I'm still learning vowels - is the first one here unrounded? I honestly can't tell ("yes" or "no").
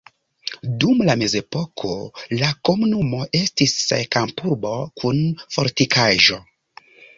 no